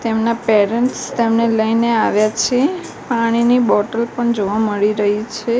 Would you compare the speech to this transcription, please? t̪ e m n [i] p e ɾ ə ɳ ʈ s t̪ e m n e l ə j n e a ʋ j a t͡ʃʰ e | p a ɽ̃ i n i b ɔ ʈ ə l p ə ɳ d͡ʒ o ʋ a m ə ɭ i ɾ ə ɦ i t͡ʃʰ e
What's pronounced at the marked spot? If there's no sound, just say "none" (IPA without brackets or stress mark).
a